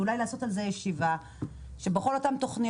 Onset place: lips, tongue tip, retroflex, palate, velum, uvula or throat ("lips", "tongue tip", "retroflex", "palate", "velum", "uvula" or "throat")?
tongue tip